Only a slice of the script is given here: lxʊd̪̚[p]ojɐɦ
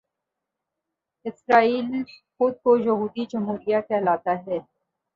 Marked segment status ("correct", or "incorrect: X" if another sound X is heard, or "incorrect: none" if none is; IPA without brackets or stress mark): incorrect: k